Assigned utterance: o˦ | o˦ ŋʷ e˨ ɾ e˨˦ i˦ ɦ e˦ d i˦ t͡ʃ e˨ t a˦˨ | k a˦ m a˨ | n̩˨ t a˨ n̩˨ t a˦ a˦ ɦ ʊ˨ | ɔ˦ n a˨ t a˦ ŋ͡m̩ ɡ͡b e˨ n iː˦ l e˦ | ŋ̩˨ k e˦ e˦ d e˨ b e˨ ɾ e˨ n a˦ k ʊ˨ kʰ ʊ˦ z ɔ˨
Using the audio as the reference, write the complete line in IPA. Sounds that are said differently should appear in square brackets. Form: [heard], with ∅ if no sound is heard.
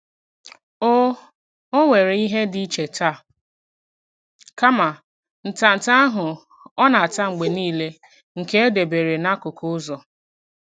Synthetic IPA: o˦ | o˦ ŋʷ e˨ ɾ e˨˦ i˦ ɦ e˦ d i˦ t͡ʃ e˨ t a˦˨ | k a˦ m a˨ | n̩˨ t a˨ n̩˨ t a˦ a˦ ɦ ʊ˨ | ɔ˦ n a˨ t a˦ ŋ͡m̩ ɡ͡b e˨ n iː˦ l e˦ | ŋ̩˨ k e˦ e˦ d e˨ b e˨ ɾ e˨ n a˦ k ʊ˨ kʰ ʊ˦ z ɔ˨

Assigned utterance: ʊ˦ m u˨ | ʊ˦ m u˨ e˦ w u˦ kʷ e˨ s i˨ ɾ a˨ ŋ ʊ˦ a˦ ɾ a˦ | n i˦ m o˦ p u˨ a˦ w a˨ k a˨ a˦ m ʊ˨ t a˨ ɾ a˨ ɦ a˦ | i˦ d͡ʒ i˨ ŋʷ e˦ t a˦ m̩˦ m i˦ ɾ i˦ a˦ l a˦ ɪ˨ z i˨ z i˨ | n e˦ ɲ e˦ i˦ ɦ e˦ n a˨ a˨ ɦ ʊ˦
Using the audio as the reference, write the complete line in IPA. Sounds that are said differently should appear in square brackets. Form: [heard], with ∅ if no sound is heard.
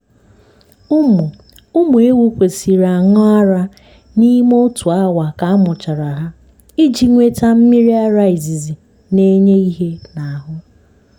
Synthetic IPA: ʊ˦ m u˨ | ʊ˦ m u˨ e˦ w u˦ kʷ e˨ s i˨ ɾ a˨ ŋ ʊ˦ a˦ ɾ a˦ | n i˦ m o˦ [t] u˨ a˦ w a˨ k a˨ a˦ m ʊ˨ [t͡ʃ] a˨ ɾ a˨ ɦ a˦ | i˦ d͡ʒ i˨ ŋʷ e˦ t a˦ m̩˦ m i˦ ɾ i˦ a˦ [ɾ] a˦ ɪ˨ z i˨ z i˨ | n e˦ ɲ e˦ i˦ ɦ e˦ n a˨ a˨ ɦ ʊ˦

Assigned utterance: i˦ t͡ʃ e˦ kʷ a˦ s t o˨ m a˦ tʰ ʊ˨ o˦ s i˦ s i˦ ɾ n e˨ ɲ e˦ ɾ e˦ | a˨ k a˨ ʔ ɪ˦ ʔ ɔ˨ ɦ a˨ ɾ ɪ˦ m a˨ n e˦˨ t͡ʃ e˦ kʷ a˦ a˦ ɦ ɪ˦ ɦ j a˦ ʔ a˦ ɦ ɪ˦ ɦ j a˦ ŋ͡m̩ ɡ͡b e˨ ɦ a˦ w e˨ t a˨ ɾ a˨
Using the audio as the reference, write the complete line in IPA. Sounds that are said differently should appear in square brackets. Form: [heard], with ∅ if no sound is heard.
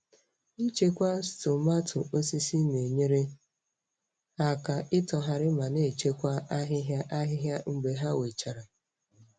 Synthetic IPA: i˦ t͡ʃ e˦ kʷ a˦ s t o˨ m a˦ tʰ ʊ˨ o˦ s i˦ s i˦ [∅] n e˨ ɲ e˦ ɾ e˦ | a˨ k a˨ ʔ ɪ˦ [t] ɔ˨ ɦ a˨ ɾ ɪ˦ m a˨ n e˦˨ t͡ʃ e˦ kʷ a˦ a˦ ɦ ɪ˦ ɦ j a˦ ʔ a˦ ɦ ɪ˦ ɦ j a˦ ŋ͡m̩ ɡ͡b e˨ ɦ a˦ w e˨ [t͡ʃ] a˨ ɾ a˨

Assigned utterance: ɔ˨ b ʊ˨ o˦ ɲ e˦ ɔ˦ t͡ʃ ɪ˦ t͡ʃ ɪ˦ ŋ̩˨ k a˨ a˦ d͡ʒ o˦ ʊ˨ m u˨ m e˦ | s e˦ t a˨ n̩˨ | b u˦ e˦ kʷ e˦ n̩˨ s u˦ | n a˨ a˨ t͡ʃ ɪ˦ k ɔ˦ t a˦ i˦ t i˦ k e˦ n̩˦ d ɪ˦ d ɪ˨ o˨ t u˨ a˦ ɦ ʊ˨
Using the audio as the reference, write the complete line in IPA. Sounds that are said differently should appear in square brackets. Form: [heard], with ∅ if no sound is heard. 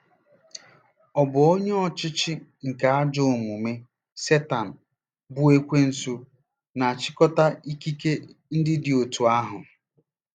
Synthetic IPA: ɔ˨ b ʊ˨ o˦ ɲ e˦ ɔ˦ t͡ʃ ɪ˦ t͡ʃ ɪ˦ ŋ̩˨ k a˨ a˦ d͡ʒ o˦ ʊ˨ m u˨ m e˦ | s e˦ t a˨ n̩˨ | b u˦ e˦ kʷ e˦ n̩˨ s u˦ | n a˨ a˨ t͡ʃ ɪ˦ k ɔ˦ t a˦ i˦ [k] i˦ k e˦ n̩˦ d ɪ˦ d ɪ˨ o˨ t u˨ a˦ ɦ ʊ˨

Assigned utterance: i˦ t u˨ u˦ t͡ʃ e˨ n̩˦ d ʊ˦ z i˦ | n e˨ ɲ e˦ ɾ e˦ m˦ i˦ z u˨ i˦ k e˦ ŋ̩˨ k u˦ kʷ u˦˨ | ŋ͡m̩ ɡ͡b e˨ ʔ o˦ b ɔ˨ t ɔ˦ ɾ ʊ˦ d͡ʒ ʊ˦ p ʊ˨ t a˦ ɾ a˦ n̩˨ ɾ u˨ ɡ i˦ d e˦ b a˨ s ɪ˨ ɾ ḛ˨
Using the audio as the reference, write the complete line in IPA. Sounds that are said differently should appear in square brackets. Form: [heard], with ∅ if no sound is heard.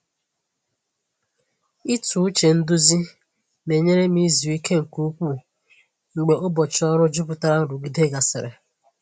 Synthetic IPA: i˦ t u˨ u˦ t͡ʃ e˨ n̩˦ d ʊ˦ z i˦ | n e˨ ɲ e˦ ɾ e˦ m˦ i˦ z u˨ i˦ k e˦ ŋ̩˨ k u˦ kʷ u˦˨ | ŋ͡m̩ ɡ͡b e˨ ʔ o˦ b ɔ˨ [t͡ʃ] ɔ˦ ɾ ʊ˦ d͡ʒ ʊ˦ p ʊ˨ t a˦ ɾ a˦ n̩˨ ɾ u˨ ɡ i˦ d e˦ [ɡ] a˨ s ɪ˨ ɾ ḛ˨

